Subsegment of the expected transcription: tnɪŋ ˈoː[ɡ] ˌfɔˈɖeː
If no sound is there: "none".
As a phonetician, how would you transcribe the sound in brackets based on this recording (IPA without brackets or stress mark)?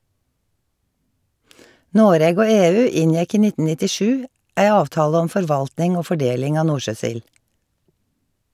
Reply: none